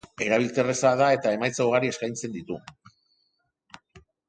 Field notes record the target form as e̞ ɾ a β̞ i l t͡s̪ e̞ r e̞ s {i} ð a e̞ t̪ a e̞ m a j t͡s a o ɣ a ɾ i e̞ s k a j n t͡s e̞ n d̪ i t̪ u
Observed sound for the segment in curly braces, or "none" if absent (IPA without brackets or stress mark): a